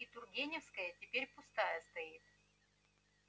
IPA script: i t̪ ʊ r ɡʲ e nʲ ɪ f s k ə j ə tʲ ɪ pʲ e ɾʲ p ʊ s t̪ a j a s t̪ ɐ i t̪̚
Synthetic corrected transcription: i t̪ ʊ r ɡʲ e nʲ ɪ f s k ə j ə tʲ ɪ pʲ e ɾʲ p ʊ s t̪ a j ə s t̪ ɐ i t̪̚